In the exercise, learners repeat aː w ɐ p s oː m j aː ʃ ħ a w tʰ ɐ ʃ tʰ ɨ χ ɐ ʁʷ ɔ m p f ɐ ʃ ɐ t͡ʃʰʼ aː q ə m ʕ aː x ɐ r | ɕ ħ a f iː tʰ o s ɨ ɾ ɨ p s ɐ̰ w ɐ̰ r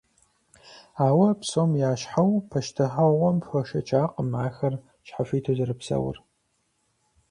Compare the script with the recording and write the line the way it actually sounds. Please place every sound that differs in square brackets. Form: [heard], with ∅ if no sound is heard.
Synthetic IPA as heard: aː w ɐ p s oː m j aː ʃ ħ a w [pʰ] ɐ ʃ tʰ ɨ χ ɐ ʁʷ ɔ m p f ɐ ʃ ɐ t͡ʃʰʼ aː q ə m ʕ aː x ɐ r | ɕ ħ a f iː tʰ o [z] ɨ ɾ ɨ p s ɐ̰ w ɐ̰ r